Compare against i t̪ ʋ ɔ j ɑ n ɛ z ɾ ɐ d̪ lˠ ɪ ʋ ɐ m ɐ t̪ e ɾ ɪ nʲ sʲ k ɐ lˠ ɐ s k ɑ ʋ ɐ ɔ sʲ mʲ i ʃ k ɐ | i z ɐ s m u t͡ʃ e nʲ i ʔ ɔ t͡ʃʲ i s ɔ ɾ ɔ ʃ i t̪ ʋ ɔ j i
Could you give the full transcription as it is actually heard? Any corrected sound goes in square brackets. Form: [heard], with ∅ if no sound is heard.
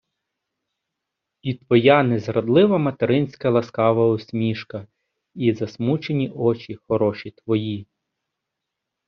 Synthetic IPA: i t̪ ʋ ɔ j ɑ n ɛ z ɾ ɐ d̪ lˠ ɪ ʋ ɐ m ɐ t̪ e ɾ ɪ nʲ sʲ k ɐ lˠ ɐ s k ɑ ʋ ɐ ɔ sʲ mʲ i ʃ k ɐ | i z ɐ s m u t͡ʃ e nʲ i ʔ ɔ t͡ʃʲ i [x] ɔ ɾ ɔ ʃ i t̪ ʋ ɔ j i